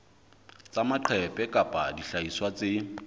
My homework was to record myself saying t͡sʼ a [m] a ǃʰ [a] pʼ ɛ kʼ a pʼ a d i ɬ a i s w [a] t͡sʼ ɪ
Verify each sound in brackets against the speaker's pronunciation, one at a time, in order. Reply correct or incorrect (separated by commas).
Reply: correct, incorrect, correct